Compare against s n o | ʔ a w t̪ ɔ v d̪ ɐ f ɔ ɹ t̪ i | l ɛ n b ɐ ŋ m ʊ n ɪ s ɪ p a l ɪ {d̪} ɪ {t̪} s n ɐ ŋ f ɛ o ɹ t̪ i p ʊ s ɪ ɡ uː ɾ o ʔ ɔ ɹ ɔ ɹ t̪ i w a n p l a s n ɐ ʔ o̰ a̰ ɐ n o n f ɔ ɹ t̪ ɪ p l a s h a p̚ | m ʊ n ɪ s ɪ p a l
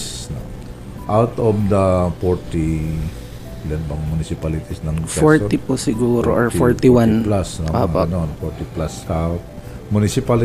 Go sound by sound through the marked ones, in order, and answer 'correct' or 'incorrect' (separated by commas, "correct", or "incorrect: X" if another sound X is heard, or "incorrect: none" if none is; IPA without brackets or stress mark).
incorrect: t̪, incorrect: none